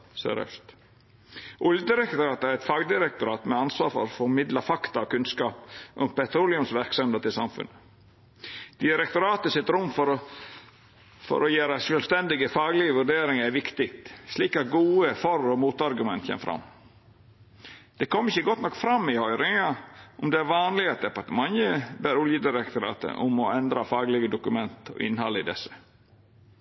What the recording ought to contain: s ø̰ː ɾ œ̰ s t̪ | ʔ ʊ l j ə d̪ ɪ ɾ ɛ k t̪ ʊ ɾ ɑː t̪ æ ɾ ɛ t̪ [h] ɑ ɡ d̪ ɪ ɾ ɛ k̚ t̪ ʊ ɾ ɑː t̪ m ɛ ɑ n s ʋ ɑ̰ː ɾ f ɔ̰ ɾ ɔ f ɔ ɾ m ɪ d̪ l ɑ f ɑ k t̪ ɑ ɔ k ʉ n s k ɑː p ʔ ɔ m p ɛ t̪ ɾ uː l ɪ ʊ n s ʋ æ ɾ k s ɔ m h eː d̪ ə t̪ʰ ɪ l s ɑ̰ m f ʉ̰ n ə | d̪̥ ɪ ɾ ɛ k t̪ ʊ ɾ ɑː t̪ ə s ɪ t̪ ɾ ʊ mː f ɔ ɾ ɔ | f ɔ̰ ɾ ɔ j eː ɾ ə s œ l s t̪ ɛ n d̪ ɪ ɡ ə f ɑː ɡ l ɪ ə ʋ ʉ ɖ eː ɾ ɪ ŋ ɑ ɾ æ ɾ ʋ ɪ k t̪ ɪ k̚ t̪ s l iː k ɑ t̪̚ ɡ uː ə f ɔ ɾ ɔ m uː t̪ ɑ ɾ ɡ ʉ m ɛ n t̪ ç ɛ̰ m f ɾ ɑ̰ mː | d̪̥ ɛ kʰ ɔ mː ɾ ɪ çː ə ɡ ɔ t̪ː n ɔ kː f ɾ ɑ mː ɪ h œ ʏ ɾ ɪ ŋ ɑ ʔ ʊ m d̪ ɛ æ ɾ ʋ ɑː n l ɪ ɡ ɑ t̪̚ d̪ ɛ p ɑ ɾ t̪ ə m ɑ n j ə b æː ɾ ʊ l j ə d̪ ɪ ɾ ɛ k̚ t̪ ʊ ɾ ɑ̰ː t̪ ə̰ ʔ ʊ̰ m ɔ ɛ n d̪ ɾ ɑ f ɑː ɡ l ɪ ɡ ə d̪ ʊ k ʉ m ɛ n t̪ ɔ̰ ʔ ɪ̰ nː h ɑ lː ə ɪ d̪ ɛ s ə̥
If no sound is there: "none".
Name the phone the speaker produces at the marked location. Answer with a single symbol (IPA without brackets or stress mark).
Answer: f